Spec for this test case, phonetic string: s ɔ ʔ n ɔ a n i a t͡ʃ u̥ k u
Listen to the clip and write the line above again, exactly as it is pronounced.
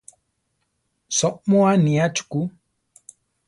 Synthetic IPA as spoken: s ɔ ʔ m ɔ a n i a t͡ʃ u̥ k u